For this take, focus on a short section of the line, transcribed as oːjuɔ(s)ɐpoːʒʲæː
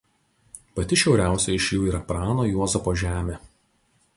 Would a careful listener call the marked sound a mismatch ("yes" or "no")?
yes